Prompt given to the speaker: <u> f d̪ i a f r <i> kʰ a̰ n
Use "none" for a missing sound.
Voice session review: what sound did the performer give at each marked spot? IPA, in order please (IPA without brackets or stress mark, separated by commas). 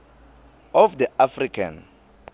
ɔ, i